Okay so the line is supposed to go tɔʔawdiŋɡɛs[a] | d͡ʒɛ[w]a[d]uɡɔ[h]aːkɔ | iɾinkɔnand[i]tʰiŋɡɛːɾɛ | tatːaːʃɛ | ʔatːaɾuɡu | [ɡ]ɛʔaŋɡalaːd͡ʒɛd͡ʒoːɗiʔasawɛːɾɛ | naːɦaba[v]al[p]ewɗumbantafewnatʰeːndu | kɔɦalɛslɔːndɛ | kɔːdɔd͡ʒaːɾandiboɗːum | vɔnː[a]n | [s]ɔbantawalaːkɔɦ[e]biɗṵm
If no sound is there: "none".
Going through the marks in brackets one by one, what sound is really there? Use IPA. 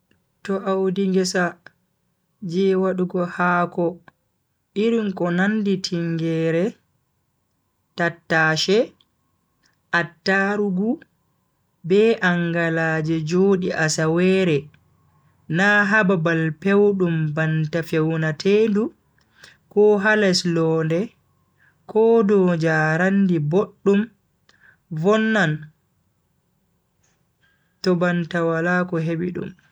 a, w, ɗ, h, i, b, b, p, a, t, e

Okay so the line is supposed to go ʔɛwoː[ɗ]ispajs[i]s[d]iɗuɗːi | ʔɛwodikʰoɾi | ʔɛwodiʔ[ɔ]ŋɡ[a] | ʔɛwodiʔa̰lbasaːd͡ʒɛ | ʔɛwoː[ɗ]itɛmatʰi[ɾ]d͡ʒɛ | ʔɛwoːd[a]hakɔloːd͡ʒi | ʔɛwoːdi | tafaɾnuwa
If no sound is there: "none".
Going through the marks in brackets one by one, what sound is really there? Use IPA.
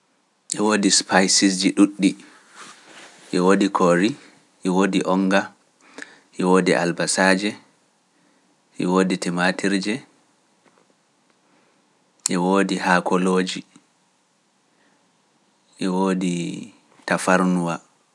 d, i, d͡ʒ, ɔ, a, d, ɾ, i

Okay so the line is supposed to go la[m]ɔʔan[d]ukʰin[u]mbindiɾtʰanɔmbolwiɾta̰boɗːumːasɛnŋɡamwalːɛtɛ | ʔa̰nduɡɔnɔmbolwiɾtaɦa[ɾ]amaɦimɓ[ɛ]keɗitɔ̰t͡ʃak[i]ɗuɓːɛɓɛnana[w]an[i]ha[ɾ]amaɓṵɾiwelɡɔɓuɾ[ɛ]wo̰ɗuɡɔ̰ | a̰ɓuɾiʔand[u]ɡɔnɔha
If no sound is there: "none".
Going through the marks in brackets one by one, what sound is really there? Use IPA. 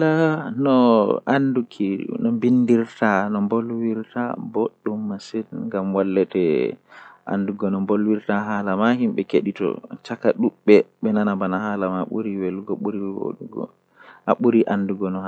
n, d, ɔ, l, ɛ, a, b, a, l, i, u

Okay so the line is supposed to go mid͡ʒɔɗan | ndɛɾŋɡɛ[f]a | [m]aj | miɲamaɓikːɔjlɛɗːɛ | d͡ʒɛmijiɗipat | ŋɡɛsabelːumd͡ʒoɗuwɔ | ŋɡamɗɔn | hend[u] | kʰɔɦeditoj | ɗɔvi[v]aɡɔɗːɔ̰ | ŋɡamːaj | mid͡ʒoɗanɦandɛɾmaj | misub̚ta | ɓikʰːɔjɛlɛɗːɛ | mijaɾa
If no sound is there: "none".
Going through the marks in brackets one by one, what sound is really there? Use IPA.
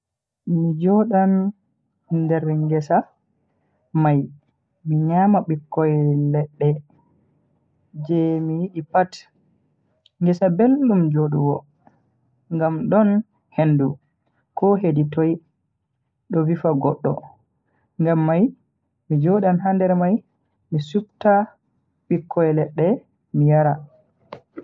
s, m, u, f

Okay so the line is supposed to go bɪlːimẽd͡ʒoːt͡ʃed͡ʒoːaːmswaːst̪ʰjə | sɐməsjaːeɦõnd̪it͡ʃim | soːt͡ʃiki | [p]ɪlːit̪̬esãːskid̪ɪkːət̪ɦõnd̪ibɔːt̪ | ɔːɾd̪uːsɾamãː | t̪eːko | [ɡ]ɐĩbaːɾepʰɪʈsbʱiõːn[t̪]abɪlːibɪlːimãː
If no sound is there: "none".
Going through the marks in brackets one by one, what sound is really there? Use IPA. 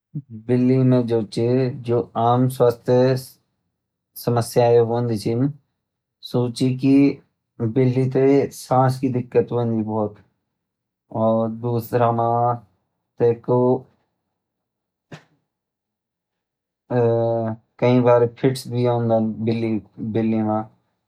b, k, d̪

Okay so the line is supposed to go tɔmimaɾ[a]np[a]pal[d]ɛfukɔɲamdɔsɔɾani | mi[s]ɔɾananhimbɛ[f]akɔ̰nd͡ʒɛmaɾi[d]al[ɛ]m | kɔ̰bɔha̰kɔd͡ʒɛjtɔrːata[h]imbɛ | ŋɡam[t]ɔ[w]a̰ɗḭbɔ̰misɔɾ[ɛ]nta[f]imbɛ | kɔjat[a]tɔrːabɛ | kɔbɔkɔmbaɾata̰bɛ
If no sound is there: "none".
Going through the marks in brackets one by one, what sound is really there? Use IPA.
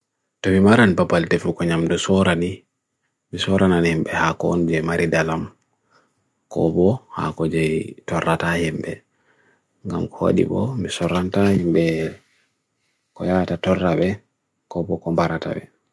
a, a, t, s, h, d, a, h, k, w, a, h, a

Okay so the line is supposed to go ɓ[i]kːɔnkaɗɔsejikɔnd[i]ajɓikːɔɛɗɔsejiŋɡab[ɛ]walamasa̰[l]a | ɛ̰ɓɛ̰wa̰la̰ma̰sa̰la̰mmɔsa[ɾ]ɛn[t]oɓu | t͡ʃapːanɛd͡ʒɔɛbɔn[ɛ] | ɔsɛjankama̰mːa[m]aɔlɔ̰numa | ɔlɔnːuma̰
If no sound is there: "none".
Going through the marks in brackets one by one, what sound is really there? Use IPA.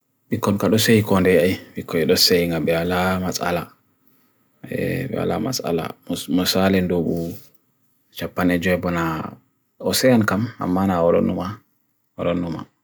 i, ɛ, ɛ, l, l, d, a, n

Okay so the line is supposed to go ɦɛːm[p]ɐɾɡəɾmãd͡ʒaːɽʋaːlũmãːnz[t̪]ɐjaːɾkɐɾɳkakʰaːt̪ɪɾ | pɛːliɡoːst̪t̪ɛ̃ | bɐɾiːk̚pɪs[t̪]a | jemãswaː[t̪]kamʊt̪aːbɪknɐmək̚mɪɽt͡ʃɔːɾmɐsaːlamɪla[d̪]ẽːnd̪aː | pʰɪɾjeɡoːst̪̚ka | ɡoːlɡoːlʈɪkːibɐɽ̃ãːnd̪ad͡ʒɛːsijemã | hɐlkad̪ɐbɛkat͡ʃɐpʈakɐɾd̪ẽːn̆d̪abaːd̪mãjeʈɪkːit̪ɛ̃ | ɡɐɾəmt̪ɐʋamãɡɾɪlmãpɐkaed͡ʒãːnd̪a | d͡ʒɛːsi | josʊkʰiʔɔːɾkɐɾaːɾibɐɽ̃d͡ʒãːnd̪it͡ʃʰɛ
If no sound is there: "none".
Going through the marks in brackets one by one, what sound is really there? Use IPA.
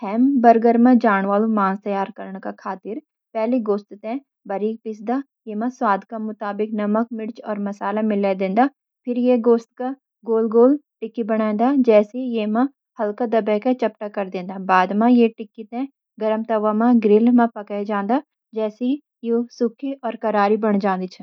b, t̪, d̪, d̪, d̪

